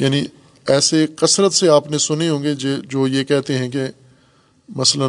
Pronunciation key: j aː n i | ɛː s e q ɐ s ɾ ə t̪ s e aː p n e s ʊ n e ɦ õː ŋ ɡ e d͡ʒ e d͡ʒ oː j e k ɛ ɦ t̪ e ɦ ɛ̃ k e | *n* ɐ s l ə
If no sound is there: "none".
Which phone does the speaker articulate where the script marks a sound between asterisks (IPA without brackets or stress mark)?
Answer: m